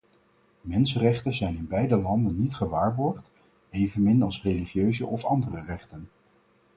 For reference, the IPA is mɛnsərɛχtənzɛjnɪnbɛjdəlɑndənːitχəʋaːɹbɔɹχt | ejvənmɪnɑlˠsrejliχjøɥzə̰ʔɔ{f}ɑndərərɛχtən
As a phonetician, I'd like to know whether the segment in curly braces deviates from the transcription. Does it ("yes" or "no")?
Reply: no